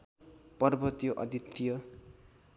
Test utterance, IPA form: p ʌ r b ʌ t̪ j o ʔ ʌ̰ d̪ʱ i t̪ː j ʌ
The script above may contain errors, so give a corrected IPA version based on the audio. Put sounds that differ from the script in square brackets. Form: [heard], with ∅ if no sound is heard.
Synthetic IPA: p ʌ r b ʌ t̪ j o ʔ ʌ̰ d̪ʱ i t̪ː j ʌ